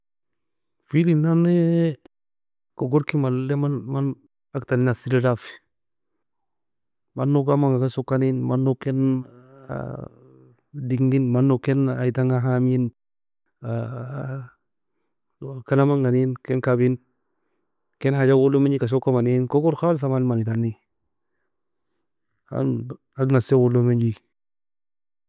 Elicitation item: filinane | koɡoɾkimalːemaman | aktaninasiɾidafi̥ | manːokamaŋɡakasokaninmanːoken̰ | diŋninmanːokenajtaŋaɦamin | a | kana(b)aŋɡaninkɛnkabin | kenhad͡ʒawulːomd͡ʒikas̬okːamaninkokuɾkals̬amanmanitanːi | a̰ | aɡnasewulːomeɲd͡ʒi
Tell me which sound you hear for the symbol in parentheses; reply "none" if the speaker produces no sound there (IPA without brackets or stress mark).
m